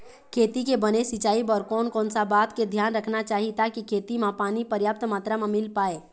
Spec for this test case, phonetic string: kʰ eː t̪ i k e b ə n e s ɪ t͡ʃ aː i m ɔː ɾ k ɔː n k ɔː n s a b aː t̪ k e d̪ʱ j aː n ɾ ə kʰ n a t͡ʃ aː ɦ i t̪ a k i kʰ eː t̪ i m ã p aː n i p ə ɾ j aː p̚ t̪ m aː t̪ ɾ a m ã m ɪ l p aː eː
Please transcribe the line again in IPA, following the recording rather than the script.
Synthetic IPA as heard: kʰ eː t̪ i k e b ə n e s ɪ t͡ʃ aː i b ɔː ɾ k ɔː n k ɔː n s a b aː t̪ k e d̪ʱ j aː n ɾ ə kʰ n a t͡ʃ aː ɦ i t̪ a k i kʰ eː t̪ i m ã p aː n i p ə ɾ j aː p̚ t̪ m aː t̪ ɾ a m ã m ɪ l p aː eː